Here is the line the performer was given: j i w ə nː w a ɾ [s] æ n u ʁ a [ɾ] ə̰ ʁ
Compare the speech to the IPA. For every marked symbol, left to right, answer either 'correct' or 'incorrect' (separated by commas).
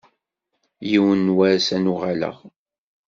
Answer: correct, incorrect